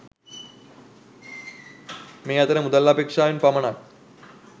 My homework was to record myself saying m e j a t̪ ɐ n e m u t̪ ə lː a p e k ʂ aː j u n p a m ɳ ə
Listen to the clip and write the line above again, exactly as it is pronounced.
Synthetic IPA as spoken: m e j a t̪ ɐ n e m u d̪ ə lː a p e k ʂ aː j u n p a m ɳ a

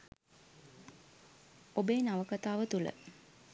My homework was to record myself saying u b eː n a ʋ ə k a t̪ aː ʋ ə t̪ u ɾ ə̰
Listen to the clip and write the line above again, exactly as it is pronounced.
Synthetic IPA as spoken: o b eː n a ʋ ə k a t̪ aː ʋ ə t̪ u l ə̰

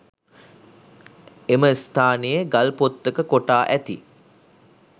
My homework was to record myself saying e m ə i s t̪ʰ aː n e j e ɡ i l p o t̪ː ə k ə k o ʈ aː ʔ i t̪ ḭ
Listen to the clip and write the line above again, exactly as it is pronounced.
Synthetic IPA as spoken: e m ə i s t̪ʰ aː n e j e ɡ a l p o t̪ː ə k ə k o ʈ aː ʔ æ t̪ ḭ

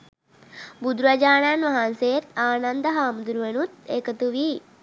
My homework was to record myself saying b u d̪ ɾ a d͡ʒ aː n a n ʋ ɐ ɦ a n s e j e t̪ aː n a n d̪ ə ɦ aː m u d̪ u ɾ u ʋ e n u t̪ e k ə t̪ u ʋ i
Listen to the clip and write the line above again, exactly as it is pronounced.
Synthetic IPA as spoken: b u d̪ ɾ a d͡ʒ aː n a n ʋ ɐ ɦ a n s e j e t̪ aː n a n d̪ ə ɦ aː m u d̪ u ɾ u ʋ e n u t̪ e k ə t̪ u ʋ i

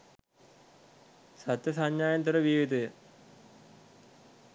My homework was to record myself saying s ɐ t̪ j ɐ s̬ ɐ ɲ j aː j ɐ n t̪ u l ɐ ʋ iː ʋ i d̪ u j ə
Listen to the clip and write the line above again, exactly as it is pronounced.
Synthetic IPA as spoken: s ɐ t̪ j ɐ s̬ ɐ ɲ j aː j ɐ n t̪ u ɾ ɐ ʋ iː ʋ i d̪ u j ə

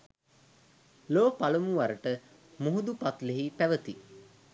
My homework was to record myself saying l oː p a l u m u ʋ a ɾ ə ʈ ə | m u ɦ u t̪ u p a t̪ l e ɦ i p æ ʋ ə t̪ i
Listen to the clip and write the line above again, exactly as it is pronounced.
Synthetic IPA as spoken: l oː p a l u m u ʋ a ɾ ə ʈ ə | m u ɦ u d̪ u p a t̪ l e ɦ i p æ ʋ ə t̪ i

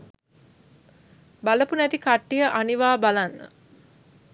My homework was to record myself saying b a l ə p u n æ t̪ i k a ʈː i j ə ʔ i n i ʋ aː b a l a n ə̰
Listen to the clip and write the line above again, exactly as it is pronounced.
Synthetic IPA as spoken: b a l ə p u n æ t̪ i k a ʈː i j ə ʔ a n i ʋ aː b a l a nː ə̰

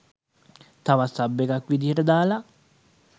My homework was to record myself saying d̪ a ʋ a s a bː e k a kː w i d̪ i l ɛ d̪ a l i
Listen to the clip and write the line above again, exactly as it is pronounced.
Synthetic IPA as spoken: t̪ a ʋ a s a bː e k a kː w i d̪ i ɾ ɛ d̪ a l a

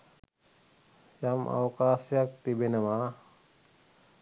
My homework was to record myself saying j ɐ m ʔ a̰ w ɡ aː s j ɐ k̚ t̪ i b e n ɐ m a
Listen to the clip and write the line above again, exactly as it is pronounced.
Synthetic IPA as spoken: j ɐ m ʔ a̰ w k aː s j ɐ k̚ t̪ i b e n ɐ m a

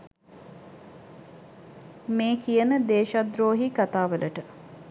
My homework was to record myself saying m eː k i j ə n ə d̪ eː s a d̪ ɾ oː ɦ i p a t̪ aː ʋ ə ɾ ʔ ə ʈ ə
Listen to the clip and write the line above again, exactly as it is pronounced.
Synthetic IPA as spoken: m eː k i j ə n ə d̪ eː ʃ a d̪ ɾ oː ɦ i k a t̪ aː ʋ ə l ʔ ə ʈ ə

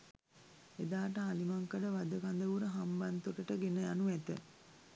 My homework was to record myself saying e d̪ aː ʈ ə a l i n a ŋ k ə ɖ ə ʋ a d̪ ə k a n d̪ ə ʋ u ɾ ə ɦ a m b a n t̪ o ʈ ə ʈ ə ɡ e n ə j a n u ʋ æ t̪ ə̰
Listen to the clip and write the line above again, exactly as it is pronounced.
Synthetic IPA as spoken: e d̪ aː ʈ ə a l i m a ŋ k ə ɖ ə ʋ a d̪ ə k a n d̪ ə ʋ u ɾ ə ɦ a m b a n t̪ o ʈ ə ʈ ə ɡ e n ə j a n u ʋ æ t̪ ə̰

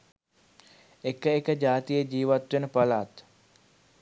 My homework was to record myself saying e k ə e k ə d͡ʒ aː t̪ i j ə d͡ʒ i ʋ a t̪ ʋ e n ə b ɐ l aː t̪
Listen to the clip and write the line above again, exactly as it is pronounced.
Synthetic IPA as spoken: e k ə e k ə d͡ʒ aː t̪ i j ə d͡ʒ iː ʋ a t̪ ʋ e n ə p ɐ l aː t̪

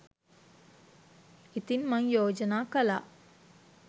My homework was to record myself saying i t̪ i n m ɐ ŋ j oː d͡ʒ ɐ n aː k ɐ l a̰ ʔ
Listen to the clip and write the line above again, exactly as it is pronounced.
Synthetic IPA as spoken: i t̪ i n m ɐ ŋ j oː d͡ʒ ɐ n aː k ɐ l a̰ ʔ

